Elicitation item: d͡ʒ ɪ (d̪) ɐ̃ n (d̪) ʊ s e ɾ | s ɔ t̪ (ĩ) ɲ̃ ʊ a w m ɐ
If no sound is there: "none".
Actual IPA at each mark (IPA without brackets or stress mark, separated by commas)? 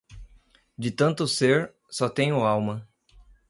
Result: t̪, t̪, ẽ